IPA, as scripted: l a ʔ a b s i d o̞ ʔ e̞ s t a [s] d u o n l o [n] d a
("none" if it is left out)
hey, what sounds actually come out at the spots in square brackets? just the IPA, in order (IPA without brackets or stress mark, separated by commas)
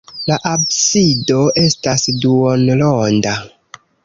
s, n